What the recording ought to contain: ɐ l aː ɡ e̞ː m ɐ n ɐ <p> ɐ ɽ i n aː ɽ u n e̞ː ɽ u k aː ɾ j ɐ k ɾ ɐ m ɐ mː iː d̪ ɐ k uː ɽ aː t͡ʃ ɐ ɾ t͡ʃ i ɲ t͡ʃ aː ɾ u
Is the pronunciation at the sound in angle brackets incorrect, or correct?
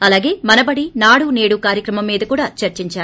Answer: incorrect